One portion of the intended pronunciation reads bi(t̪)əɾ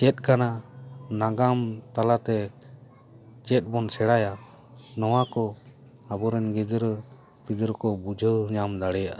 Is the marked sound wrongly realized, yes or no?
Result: yes